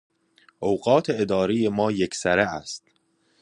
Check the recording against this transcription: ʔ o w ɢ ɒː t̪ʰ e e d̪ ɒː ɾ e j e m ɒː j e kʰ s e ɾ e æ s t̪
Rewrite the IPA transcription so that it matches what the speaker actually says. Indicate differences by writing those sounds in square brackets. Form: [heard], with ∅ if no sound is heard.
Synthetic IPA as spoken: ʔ o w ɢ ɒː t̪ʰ e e d̪ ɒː ɾ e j e m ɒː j e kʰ s [æ] ɾ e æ s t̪